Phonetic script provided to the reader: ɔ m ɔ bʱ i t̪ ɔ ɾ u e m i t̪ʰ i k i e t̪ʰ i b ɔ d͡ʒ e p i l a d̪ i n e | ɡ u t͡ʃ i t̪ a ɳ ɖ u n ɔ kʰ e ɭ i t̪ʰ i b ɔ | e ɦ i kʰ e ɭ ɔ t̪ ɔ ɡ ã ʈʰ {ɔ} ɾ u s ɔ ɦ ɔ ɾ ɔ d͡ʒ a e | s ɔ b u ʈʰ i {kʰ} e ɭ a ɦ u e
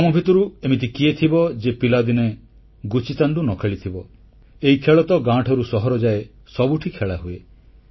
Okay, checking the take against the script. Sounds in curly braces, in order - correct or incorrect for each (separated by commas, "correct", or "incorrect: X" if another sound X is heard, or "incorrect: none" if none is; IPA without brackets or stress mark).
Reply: correct, correct